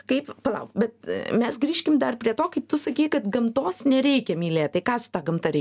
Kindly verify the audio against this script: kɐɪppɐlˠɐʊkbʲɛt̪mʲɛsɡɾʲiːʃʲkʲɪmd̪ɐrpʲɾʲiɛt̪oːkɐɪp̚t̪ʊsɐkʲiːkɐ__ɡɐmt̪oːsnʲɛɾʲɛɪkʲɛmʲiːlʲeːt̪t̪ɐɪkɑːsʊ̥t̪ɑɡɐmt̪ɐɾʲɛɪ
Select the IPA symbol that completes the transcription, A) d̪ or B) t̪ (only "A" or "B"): B